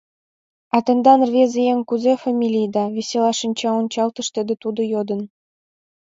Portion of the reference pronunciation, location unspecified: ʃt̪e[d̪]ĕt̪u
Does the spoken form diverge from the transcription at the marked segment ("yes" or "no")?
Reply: no